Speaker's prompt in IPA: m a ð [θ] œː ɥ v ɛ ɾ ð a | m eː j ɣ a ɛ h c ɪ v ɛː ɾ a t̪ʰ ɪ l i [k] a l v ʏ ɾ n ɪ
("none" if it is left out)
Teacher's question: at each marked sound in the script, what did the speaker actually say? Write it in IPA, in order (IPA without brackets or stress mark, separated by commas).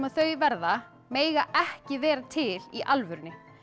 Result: θ, ʔ